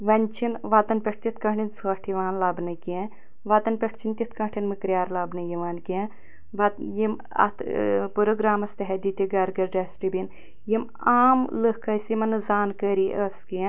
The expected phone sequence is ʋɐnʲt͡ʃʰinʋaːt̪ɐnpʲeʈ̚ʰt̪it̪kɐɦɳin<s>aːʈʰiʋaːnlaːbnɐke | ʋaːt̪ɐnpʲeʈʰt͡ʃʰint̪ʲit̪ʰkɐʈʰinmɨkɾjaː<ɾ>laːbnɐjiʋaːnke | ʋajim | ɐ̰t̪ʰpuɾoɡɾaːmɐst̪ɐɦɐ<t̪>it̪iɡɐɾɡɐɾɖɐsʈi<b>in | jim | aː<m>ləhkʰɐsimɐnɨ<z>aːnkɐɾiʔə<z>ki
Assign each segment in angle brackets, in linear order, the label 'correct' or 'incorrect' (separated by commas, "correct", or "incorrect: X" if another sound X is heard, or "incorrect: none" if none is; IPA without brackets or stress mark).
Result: correct, correct, incorrect: d̪, correct, correct, correct, incorrect: s